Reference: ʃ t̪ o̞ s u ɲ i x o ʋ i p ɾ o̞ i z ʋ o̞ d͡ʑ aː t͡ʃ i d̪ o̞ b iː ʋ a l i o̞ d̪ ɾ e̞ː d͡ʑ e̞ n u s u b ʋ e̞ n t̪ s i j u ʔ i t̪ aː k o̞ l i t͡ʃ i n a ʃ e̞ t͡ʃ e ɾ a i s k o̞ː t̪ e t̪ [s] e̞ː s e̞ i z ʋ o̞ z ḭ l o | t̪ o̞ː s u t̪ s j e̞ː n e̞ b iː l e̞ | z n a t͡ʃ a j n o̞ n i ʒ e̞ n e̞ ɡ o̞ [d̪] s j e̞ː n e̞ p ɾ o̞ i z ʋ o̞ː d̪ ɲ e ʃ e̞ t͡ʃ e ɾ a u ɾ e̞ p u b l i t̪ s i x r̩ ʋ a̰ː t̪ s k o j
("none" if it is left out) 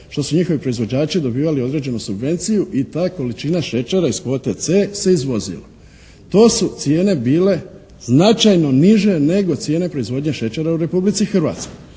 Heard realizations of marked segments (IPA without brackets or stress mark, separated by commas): s, t̪